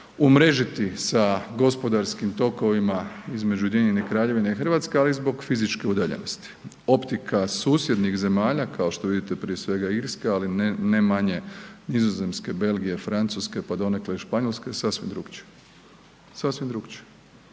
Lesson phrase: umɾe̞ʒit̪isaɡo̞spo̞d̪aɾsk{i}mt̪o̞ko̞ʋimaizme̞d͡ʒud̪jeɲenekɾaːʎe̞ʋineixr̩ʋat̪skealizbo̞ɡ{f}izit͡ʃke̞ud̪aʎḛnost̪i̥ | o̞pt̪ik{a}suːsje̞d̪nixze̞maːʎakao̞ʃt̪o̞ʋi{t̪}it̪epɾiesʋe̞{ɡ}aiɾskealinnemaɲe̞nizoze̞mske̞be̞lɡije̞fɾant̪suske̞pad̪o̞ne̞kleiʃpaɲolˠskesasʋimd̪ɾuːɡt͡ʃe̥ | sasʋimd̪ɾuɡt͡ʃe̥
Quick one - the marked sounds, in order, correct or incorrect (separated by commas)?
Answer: correct, correct, correct, incorrect, correct